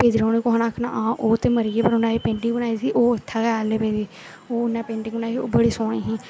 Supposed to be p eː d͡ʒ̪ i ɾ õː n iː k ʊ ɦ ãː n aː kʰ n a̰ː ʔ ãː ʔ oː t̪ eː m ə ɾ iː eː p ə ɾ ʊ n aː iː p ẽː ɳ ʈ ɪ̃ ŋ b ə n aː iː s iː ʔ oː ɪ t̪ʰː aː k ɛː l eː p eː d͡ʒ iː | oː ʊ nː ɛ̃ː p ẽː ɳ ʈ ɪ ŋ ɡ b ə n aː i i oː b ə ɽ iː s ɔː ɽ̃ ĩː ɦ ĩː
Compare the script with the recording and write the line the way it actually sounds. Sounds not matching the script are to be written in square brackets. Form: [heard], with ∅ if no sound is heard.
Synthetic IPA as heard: p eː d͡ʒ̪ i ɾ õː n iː k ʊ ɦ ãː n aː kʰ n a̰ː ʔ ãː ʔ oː t̪ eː m ə ɾ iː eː p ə ɾ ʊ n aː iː p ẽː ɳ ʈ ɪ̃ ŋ b ə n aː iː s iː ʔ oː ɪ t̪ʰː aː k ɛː l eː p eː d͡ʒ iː | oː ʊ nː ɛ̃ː p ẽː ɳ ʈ ɪ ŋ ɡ b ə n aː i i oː b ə ɽ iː s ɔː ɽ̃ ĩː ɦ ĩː

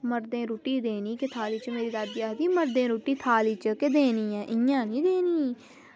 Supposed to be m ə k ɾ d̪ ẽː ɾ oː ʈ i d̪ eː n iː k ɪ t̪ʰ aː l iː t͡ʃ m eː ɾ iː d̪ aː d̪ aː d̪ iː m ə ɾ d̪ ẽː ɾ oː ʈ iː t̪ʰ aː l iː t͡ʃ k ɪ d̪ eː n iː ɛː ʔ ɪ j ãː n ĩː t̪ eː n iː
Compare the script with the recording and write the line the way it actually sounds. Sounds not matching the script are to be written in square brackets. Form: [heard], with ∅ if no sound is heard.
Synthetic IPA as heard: m ə [∅] ɾ d̪ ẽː ɾ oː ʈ [iː] d̪ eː n iː k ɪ t̪ʰ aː l iː t͡ʃ m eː ɾ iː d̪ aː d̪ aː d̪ iː m ə ɾ d̪ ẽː ɾ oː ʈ iː t̪ʰ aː l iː t͡ʃ k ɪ d̪ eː n iː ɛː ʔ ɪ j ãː n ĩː [d̪] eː n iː

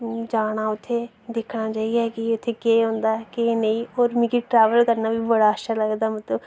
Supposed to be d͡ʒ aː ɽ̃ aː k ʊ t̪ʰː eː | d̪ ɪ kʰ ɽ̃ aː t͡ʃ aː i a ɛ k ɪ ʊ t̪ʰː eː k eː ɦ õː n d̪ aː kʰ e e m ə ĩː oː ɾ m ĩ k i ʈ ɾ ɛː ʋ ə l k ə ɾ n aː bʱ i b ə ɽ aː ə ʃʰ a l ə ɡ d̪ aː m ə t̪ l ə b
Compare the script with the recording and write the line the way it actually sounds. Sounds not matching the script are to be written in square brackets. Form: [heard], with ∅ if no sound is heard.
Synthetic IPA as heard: d͡ʒ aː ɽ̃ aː [∅] ʊ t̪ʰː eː | d̪ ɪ kʰ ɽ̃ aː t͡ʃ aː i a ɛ k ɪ ʊ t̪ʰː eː k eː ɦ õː n d̪ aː [k] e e [n] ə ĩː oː ɾ m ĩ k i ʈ ɾ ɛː ʋ ə l k ə ɾ n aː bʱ i b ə ɽ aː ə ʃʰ a l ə ɡ d̪ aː m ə t̪ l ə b

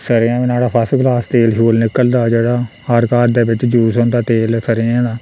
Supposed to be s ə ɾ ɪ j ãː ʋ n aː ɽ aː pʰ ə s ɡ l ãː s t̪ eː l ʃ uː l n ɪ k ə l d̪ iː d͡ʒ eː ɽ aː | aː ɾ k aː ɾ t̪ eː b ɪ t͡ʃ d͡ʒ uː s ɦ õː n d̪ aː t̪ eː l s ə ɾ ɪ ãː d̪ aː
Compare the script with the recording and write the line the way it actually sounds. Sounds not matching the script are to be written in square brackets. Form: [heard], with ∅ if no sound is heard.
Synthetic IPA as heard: s ə ɾ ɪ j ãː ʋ n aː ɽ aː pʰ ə s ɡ l [aː] s t̪ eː l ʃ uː l n ɪ k ə l d̪ [aː] d͡ʒ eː ɽ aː | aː ɾ k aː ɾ [d̪] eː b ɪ t͡ʃ d͡ʒ uː s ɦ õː n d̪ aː t̪ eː l s ə ɾ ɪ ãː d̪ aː

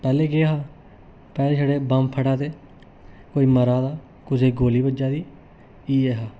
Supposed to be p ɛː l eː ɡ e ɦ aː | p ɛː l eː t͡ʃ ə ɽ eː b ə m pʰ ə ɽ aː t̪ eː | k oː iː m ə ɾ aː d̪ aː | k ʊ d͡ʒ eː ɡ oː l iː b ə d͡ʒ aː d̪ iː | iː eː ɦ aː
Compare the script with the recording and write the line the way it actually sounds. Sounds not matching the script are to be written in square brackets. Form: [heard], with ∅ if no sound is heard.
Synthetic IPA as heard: p ɛː l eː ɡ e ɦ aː | p ɛː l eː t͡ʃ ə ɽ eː b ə m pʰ ə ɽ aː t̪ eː | k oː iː m ə ɾ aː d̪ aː | k ʊ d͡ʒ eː ɡ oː l iː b ə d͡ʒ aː d̪ iː | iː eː ɦ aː

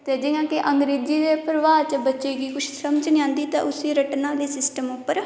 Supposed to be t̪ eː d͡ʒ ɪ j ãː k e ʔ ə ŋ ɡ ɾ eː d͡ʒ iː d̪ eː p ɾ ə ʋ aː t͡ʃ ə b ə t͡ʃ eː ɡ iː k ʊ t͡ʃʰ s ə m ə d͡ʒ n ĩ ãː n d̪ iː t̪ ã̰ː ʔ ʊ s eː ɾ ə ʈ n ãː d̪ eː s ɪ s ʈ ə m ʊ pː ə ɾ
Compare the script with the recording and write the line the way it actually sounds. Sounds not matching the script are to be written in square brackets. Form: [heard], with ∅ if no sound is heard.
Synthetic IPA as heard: t̪ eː d͡ʒ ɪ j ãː k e ʔ ə ŋ ɡ ɾ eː d͡ʒ iː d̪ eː p ɾ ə ʋ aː t͡ʃ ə b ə t͡ʃ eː ɡ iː k ʊ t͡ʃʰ s ə m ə d͡ʒ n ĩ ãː n d̪ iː t̪ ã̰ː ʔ ʊ s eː ɾ ə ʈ n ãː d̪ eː s ɪ s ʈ ə m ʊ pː ə ɾ

